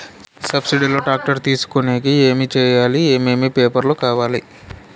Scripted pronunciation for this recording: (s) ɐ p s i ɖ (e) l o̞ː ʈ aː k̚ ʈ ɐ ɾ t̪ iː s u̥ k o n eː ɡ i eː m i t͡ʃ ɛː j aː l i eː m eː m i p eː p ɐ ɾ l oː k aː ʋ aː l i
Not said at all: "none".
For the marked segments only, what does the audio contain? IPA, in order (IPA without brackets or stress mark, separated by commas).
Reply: s, i